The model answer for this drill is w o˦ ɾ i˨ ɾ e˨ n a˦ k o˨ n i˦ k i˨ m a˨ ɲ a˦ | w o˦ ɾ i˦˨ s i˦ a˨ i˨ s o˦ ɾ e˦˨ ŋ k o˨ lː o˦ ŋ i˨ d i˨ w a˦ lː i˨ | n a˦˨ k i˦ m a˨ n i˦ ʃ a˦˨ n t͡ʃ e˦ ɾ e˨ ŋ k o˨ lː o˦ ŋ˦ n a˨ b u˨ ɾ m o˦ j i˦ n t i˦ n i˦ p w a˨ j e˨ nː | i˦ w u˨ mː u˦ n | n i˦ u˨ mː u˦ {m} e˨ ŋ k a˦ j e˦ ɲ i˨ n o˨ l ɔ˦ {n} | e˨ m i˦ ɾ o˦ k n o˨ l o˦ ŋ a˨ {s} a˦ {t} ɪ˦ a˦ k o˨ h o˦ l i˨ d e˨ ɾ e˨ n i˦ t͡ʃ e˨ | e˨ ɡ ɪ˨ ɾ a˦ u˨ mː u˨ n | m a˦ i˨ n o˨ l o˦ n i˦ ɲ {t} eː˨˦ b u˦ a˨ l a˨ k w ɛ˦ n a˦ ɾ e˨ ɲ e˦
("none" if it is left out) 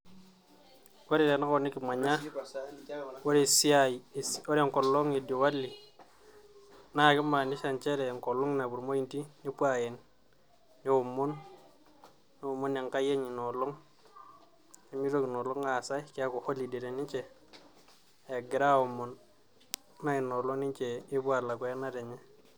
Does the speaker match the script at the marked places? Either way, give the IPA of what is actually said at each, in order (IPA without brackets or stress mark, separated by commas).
n, ŋ, s, k, t͡ʃ